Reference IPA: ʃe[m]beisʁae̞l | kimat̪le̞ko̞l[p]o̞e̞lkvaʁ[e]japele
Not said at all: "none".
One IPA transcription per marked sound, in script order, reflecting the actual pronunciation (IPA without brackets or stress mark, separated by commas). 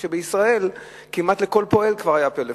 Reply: none, p, a